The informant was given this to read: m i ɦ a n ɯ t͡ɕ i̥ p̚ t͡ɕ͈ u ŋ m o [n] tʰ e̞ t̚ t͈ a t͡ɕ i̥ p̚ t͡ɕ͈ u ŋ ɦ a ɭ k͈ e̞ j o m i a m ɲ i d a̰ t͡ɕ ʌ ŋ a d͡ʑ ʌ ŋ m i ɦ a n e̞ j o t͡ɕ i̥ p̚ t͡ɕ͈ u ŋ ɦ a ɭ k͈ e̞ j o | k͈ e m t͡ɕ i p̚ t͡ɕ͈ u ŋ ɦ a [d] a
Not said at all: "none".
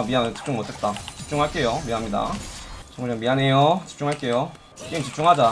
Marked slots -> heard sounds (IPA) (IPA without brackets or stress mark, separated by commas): none, d͡ʑ